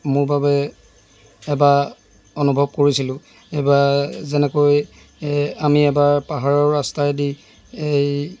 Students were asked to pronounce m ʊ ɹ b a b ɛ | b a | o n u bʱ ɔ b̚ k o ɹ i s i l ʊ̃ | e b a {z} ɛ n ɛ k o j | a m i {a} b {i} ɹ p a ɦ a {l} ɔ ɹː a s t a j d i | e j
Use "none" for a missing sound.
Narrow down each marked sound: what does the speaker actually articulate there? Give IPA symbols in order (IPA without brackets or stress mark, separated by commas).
z, ɛ, a, ɹ